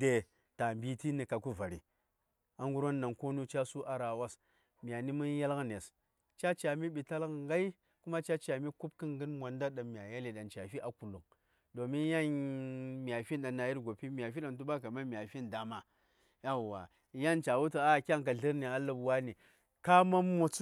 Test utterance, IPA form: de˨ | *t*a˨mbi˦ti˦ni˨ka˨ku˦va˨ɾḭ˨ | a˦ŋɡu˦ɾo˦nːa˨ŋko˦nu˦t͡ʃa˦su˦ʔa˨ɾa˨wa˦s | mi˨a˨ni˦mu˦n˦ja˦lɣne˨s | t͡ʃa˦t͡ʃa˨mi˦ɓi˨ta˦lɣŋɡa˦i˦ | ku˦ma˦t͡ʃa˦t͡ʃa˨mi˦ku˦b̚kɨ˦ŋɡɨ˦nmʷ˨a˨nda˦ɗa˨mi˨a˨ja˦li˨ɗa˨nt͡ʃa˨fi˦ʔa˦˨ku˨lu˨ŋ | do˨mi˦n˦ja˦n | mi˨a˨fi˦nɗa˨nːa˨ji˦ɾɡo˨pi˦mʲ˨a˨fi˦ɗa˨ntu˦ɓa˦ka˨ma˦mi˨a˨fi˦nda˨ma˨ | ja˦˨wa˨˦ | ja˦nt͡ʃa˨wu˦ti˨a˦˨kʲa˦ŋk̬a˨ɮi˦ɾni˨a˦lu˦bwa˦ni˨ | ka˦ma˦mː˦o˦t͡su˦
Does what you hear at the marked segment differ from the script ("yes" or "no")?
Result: no